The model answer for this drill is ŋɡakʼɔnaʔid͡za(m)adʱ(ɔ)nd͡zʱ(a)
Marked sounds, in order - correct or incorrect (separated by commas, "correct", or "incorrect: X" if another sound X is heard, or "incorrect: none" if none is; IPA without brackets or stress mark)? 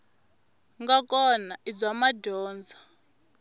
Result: correct, incorrect: ɔː, correct